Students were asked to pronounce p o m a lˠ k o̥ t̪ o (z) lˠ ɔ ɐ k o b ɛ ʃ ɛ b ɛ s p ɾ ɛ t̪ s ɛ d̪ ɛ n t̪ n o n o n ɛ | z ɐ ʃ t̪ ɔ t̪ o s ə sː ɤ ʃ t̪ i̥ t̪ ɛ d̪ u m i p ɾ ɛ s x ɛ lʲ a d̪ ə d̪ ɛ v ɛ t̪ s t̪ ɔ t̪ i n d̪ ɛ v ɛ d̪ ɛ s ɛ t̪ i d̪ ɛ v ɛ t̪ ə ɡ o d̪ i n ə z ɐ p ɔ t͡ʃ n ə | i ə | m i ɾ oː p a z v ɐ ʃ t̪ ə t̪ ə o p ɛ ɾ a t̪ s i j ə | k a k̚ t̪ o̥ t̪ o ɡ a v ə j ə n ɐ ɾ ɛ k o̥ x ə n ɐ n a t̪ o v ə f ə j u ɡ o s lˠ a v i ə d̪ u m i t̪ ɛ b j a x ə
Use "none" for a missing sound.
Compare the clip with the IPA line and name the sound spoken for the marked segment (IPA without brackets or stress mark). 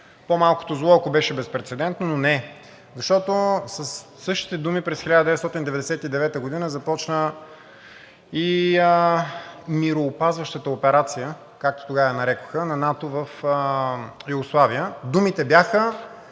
z